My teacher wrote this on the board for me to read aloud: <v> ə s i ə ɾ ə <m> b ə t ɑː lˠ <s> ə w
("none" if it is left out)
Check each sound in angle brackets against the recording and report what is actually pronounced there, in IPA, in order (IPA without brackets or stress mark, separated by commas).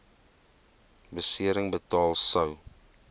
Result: b, ŋ, s